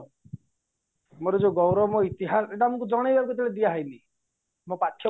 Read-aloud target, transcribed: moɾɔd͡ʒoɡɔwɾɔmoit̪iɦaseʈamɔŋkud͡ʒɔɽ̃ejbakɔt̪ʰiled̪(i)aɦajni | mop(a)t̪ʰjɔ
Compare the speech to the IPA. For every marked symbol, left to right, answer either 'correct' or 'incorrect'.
correct, correct

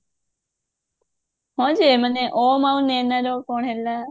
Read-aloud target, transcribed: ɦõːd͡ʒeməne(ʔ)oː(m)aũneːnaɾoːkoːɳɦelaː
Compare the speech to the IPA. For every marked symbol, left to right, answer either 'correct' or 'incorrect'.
correct, correct

